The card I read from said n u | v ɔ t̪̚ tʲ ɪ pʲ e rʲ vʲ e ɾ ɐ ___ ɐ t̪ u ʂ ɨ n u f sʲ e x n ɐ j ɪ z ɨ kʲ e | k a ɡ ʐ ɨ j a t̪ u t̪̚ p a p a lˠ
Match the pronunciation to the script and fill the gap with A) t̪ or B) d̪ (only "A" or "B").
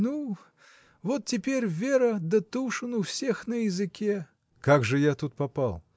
B